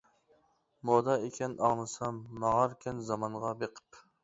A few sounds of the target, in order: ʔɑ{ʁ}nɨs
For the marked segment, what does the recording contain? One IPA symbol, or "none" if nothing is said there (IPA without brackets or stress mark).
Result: ʁ